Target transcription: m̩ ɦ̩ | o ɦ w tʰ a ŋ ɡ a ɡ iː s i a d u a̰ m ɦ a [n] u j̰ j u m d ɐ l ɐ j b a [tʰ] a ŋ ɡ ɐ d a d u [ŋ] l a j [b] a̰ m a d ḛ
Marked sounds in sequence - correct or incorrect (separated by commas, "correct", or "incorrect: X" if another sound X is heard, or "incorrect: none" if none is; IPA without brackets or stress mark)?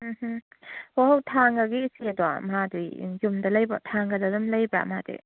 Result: incorrect: d, correct, incorrect: m, correct